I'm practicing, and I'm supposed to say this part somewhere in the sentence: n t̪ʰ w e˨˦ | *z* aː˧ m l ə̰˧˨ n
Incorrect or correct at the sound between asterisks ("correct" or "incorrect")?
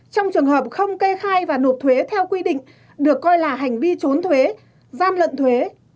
correct